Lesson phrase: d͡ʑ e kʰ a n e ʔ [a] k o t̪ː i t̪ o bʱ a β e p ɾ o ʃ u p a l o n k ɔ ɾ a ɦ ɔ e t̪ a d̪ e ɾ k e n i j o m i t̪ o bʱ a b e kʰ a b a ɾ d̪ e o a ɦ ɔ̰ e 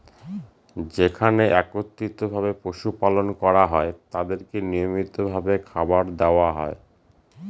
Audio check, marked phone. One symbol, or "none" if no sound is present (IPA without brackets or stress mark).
ɛ